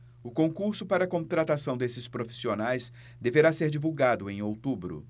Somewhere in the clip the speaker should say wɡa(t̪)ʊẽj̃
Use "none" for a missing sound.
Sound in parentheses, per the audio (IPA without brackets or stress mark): d̪